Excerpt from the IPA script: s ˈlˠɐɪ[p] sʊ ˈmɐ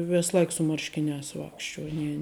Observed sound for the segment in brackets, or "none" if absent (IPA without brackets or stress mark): k